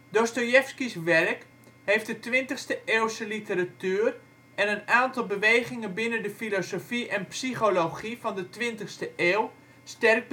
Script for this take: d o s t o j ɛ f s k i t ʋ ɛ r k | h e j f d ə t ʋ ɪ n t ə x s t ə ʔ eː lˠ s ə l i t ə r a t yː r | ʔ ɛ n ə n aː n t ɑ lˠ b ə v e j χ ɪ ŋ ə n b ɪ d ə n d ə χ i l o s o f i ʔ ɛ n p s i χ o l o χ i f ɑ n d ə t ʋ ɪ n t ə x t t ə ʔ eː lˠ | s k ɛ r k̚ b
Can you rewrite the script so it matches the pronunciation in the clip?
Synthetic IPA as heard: d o s t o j ɛ f s k i s ʋ ɛ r k | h e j f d ə t ʋ ɪ n t ə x s t ə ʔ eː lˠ s ə l i t ə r a t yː r | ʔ ɛ n ə n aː n t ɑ lˠ b ə ʋ e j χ ɪ ŋ ə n b ɪ n ə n d ə f i l o s o f i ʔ ɛ n p s i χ o l o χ i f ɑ n d ə t ʋ ɪ n t ə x s t ə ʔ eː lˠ | s t ɛ r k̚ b